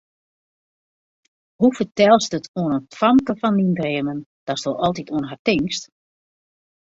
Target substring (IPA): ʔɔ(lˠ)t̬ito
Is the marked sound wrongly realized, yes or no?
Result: no